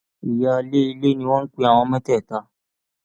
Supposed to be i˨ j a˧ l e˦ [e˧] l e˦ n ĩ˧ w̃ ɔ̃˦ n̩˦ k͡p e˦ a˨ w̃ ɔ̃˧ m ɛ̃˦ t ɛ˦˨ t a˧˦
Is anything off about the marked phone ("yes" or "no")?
yes